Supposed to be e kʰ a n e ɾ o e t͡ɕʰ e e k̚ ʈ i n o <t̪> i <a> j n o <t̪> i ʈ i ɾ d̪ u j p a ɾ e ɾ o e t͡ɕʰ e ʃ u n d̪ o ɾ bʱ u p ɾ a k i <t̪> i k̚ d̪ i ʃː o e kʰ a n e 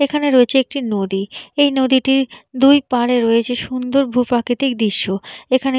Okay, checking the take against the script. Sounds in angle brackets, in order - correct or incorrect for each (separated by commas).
incorrect, incorrect, incorrect, correct